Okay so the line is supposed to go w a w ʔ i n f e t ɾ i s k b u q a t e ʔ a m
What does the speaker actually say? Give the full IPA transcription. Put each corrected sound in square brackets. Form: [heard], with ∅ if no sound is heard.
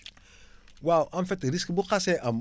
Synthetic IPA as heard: w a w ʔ [a] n f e t ɾ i s k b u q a [s] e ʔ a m